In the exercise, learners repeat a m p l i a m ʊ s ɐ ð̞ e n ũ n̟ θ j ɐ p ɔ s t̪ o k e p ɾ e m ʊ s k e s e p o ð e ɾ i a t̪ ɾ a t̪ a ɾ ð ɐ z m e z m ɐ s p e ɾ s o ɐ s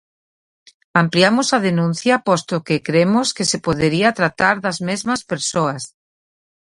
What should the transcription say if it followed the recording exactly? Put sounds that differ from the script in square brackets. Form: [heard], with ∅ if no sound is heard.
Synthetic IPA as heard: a m p l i a m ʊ s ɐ ð̞ e n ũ n̟ θ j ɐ p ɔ s t̪ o k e [k] ɾ e m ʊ s k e s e p o ð e ɾ i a t̪ ɾ a t̪ a ɾ ð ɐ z m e z m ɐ s p e ɾ s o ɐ s

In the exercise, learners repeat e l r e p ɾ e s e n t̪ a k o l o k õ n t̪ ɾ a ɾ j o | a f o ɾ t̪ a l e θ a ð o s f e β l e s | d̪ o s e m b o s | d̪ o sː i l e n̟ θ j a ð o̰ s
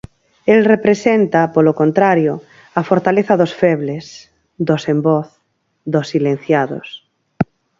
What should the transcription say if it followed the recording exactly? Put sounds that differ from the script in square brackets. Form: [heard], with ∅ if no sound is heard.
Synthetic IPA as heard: e l r e p ɾ e s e n t̪ a [p] o l o k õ n t̪ ɾ a ɾ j o | a f o ɾ t̪ a l e θ a ð o s f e β l e s | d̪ o s e m b o [θ] | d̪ o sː i l e n̟ θ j a ð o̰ s

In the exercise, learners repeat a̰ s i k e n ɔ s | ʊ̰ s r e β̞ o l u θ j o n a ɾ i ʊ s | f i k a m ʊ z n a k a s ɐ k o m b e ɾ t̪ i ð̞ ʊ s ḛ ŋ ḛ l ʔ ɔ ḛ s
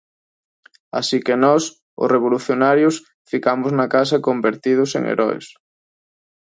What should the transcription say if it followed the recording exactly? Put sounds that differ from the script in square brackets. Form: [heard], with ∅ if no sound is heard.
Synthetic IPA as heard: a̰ s i k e n ɔ s | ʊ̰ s r e β̞ o l u θ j o n a ɾ [j] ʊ s | f i k a m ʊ z n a k a s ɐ k o m b e ɾ t̪ i ð̞ ʊ s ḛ ŋ ḛ [ɾ] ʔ ɔ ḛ s

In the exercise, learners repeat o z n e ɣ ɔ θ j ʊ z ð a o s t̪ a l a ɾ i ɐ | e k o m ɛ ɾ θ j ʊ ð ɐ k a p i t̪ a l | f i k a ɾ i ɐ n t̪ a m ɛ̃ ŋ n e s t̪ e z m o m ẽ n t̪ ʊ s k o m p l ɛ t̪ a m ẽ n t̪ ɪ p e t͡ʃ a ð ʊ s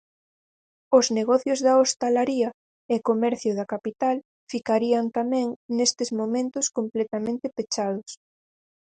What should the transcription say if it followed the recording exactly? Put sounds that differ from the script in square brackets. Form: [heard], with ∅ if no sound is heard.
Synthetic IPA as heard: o z n e ɣ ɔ θ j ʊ z ð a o s t̪ a l a ɾ i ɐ | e k o m ɛ ɾ θ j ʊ ð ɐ k a p i t̪ a l | f i k a ɾ i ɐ n t̪ a m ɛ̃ ŋ n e s t̪ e z m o m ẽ n t̪ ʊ s k o m p l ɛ t̪ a m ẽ n t̪ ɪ p e t͡ʃ a ð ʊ s

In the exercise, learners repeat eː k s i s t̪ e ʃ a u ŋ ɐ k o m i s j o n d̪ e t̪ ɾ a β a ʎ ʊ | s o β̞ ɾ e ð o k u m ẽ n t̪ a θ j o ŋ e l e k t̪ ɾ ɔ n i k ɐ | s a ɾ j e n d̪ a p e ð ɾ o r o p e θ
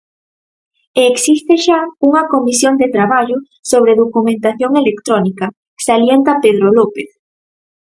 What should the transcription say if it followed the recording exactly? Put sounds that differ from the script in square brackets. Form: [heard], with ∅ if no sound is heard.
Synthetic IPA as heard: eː k s i s t̪ e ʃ a u ŋ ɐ k o m i s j o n d̪ e t̪ ɾ a β a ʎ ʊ | s o β̞ ɾ e ð o k u m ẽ n t̪ a θ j o ŋ e l e k t̪ ɾ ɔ n i k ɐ | s a [l] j e n [t̪] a p e ð ɾ o [l] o p e θ

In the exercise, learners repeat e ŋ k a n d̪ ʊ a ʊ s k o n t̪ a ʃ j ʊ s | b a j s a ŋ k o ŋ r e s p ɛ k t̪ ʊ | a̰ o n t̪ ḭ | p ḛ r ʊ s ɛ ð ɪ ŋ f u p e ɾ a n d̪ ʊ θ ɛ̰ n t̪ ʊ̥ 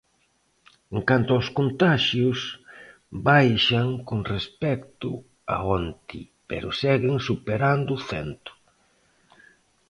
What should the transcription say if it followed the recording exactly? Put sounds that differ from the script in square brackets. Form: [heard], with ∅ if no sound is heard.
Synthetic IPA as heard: e ŋ k a n [t̪] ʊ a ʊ s k o n t̪ a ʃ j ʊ s | b a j [ʃ] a ŋ k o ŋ r e s p ɛ k t̪ ʊ | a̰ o n t̪ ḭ | p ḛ [ɾ] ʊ s ɛ [ɣ] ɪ ŋ [s] u p e ɾ a n d̪ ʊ θ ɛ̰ n t̪ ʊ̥

